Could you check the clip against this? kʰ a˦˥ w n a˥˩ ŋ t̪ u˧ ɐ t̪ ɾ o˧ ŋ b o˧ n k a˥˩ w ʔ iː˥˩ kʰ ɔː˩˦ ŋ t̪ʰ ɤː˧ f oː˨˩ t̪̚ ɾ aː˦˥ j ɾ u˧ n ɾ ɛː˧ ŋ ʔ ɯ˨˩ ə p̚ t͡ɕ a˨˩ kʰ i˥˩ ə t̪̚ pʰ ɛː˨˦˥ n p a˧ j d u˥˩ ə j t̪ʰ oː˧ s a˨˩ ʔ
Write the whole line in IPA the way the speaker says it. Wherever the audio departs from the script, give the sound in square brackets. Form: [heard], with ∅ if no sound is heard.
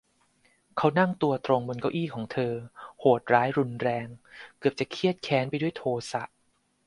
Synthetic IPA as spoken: kʰ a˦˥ w n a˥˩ ŋ t̪ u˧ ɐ t̪ ɾ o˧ ŋ b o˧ n k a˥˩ w ʔ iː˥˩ kʰ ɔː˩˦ ŋ t̪ʰ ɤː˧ [h] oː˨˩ t̪̚ ɾ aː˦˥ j ɾ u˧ n ɾ ɛː˧ ŋ [k] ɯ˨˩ ə p̚ t͡ɕ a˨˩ kʰ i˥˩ ə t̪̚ [kʰ] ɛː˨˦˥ n p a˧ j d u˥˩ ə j t̪ʰ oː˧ s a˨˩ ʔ